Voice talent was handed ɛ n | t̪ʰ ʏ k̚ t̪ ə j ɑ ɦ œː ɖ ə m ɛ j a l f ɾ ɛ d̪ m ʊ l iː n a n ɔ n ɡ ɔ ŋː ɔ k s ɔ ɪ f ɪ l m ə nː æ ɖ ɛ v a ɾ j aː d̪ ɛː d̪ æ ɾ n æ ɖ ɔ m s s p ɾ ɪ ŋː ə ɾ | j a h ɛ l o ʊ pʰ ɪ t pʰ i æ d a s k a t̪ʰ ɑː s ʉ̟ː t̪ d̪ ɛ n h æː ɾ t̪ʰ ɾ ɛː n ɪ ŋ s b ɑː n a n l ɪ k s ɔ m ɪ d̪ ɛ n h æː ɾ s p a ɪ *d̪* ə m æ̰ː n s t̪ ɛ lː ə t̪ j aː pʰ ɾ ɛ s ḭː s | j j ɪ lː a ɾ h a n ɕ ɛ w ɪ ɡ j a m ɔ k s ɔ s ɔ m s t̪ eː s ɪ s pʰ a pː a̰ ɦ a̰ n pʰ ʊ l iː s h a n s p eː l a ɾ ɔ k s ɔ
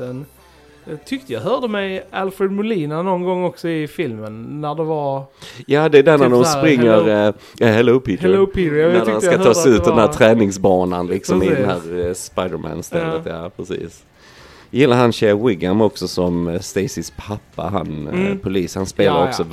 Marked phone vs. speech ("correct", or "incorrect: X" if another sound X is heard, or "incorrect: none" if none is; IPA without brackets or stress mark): correct